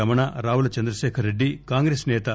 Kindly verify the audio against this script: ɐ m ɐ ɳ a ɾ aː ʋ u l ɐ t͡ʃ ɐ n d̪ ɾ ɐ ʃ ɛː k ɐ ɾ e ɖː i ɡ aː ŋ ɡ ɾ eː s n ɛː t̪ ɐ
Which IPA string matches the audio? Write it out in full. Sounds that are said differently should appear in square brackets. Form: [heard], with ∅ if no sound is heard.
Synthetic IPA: ɐ m ɐ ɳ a ɾ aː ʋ u l ɐ t͡ʃ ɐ n d̪ ɾ ɐ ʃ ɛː [kʰ] ɐ ɾ e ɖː i [k] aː ŋ ɡ ɾ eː s n ɛː t̪ ɐ

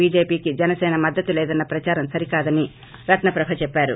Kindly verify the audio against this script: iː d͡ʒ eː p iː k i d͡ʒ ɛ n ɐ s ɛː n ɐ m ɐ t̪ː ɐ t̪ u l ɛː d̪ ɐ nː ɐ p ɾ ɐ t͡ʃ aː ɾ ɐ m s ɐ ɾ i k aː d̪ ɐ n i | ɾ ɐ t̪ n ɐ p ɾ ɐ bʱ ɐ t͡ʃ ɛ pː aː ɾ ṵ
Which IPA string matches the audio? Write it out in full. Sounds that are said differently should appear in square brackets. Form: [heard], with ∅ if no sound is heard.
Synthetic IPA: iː d͡ʒ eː p iː k i d͡ʒ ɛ n ɐ s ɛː n ɐ m ɐ [d̪ː] ɐ t̪ u l ɛː d̪ ɐ nː ɐ p ɾ ɐ t͡ʃ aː ɾ ɐ m s ɐ ɾ i k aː d̪ ɐ n i | ɾ ɐ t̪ n ɐ p ɾ ɐ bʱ ɐ t͡ʃ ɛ pː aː ɾ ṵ

